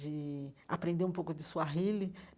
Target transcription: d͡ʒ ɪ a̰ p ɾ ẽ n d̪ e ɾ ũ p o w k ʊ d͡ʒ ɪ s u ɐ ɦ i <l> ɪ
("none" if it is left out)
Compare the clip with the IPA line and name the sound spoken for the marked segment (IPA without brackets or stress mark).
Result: l